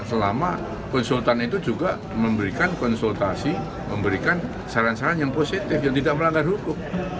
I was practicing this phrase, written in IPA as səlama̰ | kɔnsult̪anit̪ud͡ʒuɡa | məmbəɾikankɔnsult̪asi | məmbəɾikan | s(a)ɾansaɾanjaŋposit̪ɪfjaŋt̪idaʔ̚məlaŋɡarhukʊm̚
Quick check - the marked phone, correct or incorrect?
correct